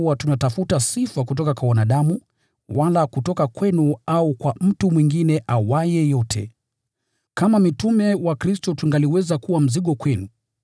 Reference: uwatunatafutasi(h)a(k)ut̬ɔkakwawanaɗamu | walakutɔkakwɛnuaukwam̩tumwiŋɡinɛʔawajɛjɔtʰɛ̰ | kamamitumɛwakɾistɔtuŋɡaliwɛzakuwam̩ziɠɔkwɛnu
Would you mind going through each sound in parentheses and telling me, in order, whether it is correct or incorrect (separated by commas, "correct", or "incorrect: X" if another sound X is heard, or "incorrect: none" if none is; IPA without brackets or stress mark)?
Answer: incorrect: f, correct